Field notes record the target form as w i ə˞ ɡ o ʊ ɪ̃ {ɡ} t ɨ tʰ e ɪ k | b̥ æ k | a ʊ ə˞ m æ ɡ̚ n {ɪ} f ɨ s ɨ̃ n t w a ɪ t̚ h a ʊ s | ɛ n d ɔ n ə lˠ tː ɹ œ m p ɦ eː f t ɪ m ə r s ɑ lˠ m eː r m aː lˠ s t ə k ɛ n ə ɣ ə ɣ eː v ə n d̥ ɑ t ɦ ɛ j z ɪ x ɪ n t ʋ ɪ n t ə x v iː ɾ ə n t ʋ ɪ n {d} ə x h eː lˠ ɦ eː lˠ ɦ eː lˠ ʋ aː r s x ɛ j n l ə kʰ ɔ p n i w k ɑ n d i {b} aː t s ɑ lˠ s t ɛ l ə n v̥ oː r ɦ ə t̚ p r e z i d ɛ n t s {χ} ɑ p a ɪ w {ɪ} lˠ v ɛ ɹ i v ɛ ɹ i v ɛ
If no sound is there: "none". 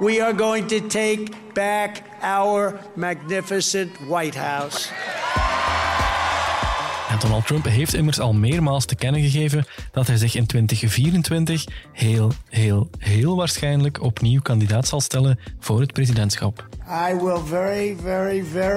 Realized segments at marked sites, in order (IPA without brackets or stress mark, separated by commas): ŋ, ɪ, t, d, x, ɪ